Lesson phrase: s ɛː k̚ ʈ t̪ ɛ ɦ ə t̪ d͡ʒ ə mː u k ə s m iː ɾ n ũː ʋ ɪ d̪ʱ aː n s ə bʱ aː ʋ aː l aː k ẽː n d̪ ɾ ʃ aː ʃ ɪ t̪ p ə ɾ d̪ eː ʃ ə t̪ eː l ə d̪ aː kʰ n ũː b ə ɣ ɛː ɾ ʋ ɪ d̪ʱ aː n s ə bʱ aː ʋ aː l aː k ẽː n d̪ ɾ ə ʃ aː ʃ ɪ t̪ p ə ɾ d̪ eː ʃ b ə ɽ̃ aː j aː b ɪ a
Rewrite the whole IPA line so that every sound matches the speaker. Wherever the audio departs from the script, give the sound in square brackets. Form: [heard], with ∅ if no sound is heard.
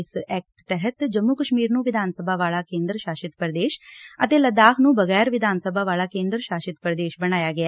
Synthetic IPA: s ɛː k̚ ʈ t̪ ɛ ɦ ə t̪ d͡ʒ ə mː u k ə [ʃ] m iː ɾ n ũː ʋ ɪ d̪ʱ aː n s ə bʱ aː ʋ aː l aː k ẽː n d̪ ɾ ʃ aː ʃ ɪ t̪ p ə ɾ d̪ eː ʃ ə t̪ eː l ə d̪ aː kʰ n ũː b ə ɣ ɛː ɾ ʋ ɪ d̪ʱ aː n s ə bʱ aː ʋ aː l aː k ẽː n d̪ ɾ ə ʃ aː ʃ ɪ t̪ p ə ɾ d̪ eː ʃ b ə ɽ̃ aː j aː [ɡ] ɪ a